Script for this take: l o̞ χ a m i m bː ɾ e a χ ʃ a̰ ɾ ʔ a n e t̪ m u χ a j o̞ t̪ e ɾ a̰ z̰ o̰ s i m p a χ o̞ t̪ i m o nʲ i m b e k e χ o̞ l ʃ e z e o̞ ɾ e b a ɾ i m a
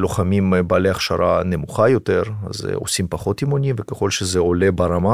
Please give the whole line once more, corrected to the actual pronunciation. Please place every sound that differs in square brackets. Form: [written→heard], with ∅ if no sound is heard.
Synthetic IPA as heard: l o̞ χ a m i m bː [ɾ→l] e a χ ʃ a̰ ɾ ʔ a n e [t̪→∅] m u χ a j o̞ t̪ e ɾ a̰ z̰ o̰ s i m p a χ o̞ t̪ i m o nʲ i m [b→v] e k e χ o̞ l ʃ e z e o̞ [ɾ→l] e b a ɾ [i→a] m a